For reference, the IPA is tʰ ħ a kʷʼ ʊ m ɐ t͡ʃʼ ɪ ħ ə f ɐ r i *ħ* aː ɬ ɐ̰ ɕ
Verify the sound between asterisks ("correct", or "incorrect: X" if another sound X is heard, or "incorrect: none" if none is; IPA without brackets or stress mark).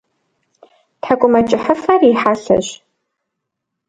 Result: correct